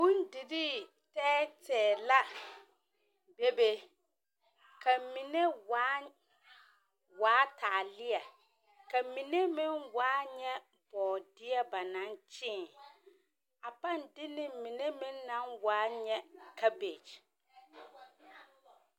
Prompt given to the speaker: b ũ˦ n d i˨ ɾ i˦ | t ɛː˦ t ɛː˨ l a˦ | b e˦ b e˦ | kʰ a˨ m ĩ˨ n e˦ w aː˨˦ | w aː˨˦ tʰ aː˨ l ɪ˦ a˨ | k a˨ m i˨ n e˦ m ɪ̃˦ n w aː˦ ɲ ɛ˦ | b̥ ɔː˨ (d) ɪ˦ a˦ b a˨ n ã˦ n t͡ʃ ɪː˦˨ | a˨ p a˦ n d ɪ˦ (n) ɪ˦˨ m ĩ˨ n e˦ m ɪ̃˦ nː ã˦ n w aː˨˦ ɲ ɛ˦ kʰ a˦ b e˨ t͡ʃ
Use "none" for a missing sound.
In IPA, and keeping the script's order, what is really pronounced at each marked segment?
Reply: d, n

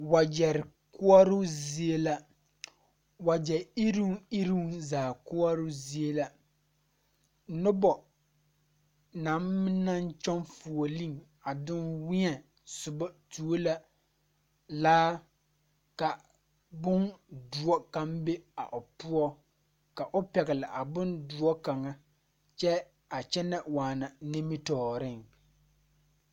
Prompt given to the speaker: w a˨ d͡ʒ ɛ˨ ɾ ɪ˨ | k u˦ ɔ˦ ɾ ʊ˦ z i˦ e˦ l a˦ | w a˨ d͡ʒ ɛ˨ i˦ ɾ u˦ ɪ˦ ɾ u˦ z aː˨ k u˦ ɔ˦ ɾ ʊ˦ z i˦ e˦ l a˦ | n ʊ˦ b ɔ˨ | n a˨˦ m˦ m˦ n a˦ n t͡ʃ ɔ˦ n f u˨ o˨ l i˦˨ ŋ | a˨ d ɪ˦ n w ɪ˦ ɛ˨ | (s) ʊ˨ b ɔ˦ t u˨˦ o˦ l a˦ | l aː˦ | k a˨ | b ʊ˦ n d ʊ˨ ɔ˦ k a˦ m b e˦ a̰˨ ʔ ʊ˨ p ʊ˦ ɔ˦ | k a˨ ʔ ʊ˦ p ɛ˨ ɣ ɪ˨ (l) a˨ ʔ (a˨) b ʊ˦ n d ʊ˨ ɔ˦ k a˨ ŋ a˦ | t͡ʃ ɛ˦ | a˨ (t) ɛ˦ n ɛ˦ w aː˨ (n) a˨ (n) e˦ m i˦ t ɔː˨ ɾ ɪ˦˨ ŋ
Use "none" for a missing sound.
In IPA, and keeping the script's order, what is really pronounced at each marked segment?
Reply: s, l, a˨, t͡ʃ, n, n

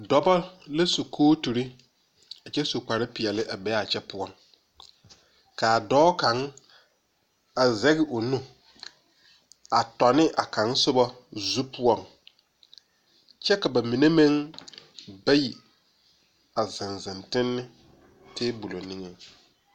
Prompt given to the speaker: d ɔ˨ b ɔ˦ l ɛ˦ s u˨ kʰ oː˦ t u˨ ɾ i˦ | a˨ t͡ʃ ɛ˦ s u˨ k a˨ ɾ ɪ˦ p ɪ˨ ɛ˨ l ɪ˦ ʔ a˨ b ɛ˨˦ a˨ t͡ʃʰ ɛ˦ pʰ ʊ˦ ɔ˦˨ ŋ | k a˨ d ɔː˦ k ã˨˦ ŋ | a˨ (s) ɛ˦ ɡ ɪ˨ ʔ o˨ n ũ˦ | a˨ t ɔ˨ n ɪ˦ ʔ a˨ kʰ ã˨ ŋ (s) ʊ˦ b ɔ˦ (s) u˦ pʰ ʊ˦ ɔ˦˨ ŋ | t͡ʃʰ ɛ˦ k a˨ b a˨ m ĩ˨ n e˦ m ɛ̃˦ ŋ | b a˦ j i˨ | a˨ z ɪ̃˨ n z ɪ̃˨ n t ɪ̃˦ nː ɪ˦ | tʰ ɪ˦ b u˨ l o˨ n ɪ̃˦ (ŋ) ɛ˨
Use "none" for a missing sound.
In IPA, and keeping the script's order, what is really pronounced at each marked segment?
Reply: z, s, z, ŋ

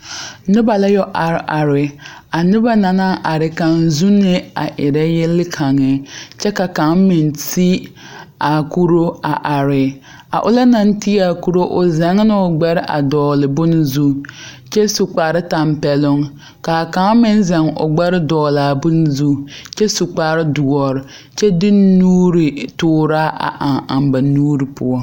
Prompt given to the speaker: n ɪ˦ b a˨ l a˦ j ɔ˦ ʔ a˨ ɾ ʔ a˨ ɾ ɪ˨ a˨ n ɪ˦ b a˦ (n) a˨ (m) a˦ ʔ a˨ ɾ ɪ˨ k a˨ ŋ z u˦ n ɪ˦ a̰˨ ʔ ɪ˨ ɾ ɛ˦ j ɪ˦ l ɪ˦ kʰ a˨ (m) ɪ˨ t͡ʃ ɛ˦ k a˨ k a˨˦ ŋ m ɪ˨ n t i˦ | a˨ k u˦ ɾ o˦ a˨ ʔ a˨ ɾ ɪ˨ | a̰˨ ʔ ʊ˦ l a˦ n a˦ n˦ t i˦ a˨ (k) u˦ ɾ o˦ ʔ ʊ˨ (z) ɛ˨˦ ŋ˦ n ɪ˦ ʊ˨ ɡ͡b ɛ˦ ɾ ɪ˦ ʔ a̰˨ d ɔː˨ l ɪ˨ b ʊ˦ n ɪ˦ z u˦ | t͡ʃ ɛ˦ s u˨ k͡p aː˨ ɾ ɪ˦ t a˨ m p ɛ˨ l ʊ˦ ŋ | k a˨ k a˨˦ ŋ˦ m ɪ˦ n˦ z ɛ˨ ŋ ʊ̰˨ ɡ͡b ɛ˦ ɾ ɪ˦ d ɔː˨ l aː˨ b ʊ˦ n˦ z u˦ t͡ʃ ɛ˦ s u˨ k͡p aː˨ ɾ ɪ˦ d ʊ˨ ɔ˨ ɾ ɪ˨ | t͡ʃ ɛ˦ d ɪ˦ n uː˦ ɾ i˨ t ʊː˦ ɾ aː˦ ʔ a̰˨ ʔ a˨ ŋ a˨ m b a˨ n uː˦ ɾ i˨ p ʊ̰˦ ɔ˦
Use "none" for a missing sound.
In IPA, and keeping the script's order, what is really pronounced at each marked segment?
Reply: n, n, ŋ, k, z

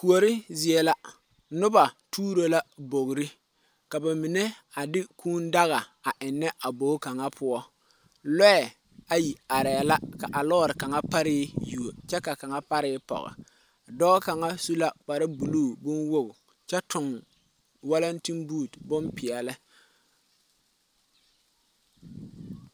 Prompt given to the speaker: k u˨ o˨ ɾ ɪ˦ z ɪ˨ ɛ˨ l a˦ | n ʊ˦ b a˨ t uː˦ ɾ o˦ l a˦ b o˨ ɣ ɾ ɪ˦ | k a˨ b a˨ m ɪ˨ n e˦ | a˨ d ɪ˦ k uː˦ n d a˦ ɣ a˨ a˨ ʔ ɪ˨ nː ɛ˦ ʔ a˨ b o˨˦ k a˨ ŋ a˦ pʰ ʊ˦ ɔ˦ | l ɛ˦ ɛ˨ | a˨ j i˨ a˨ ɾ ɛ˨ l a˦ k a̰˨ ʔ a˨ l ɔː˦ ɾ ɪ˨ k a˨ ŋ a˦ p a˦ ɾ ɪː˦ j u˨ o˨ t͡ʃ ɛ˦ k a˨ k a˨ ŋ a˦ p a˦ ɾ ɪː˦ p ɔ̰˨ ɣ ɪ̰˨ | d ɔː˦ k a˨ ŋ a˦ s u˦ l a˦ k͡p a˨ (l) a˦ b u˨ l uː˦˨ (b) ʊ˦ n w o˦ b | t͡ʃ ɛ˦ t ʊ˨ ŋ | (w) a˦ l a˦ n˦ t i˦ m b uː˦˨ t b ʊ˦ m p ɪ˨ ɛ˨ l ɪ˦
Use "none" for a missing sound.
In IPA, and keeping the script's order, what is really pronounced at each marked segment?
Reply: ɾ, b, w

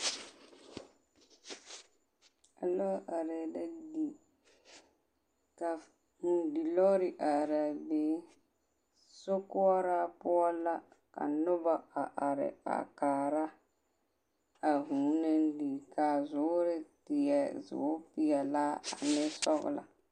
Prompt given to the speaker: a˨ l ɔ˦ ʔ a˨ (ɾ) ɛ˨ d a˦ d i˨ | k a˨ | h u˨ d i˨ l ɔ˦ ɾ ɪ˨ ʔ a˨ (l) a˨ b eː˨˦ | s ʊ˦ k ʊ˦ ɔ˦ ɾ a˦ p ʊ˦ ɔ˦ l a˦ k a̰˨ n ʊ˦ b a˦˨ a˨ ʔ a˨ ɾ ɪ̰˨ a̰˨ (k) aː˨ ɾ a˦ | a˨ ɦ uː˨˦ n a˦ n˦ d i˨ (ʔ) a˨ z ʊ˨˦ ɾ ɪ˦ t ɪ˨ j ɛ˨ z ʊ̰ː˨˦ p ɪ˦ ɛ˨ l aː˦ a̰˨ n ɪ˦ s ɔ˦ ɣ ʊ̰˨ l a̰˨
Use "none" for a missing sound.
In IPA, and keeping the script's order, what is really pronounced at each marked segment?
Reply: ɾ, ɾ, k, k

